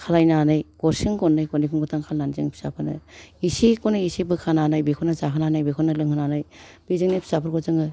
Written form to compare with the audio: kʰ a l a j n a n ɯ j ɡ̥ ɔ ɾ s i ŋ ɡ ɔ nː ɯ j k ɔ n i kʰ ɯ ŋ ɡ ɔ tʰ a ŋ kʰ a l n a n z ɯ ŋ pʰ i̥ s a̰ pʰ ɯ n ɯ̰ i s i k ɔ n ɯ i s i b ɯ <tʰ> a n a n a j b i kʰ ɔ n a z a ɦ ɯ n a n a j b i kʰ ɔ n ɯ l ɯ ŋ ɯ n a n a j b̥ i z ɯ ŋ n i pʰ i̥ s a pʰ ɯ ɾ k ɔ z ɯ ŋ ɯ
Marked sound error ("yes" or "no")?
yes